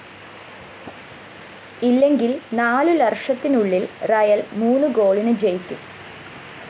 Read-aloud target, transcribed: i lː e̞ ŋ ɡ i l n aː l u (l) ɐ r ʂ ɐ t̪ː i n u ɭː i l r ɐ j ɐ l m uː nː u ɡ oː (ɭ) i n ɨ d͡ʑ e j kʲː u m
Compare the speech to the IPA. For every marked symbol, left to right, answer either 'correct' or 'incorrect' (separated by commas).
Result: correct, correct